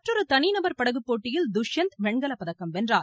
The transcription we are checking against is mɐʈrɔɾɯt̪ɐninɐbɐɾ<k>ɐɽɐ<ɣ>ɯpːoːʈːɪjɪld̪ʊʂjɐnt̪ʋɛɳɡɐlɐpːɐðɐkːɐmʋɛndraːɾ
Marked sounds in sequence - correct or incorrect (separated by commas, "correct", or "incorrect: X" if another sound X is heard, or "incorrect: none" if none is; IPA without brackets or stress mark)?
incorrect: p, correct